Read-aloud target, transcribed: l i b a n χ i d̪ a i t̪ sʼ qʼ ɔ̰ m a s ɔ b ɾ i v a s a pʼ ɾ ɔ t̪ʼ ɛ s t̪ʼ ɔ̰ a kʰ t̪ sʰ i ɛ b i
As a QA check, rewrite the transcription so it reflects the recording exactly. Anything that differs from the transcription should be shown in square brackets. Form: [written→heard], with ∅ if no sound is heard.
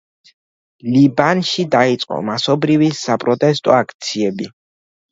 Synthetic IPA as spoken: l i b a n [χ→ʃ] i d̪ a i t̪ sʼ qʼ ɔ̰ m a s ɔ b ɾ i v [a→i] s a pʼ ɾ ɔ t̪ʼ ɛ s t̪ʼ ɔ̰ a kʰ t̪ sʰ i ɛ b i